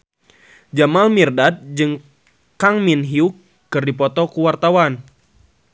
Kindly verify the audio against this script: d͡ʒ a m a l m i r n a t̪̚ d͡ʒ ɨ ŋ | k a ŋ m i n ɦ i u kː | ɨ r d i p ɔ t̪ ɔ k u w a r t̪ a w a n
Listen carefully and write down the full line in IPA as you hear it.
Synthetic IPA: d͡ʒ a m a l m i r d a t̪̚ d͡ʒ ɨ ŋ | k a ŋ m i n ɦ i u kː | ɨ r d i p ɔ t̪ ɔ k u w a r t̪ a w a n